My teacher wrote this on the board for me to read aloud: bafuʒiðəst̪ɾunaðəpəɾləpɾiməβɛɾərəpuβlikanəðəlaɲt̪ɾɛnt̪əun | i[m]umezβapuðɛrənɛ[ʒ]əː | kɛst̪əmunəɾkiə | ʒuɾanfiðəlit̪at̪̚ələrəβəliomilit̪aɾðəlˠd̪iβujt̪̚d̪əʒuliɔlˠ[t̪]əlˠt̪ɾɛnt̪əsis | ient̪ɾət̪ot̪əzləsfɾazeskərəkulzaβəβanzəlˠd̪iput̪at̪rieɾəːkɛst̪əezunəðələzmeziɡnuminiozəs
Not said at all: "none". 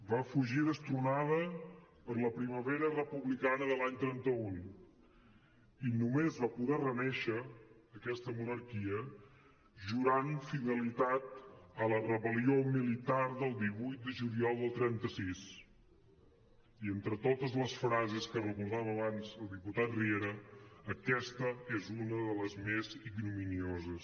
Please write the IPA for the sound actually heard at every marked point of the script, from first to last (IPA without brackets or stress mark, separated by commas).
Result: n, ʃ, d̪